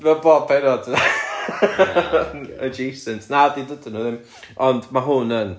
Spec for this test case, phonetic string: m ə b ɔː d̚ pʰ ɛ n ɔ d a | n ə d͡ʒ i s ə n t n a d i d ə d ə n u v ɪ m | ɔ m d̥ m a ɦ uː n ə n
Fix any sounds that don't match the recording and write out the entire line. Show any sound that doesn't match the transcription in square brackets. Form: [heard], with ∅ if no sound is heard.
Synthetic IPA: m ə b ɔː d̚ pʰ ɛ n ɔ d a | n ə d͡ʒ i s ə n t n a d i d ə d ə n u [ð] ɪ m | ɔ [n] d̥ m a ɦ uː n ə n